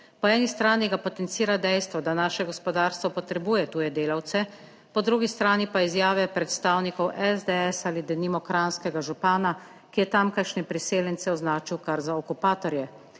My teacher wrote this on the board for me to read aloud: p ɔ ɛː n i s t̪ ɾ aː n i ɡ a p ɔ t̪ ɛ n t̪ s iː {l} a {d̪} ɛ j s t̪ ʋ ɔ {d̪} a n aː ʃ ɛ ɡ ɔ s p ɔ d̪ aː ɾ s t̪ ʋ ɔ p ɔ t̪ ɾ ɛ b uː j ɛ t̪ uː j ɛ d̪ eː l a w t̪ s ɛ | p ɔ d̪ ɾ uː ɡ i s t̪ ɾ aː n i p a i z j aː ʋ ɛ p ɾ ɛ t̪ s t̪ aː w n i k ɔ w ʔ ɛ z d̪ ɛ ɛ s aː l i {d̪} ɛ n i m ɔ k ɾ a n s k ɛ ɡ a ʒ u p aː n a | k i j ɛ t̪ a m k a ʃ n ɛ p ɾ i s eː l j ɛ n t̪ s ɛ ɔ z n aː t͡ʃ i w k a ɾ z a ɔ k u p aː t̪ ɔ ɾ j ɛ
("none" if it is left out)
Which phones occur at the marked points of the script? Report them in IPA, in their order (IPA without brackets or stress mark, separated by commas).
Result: ɾ, d̪, d̪, d̪